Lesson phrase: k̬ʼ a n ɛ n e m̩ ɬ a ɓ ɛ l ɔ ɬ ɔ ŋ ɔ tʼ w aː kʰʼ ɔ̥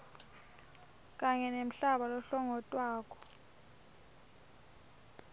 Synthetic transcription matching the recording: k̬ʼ a ɲ ɛ n e m̩ ɬ a ɓ a l ɔ ɬ ɔ ŋ ɔ tʼ w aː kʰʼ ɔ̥